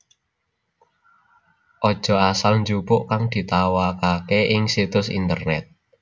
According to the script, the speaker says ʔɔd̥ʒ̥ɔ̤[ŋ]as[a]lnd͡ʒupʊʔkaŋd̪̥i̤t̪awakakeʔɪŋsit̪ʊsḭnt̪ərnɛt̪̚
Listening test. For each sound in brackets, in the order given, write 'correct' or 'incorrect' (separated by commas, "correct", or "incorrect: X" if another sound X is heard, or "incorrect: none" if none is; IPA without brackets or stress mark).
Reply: incorrect: none, correct